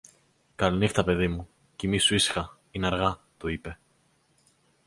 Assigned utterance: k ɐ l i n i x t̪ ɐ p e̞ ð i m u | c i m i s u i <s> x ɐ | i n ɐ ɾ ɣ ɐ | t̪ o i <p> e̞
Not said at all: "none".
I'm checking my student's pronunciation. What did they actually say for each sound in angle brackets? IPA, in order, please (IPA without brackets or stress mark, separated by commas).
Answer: s, p